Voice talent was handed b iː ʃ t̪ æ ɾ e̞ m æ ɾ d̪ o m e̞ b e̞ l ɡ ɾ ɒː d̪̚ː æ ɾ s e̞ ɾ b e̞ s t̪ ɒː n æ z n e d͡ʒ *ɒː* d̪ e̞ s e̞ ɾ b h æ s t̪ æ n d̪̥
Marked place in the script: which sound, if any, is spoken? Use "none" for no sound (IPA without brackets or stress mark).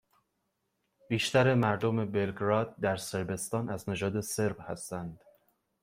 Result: ɒː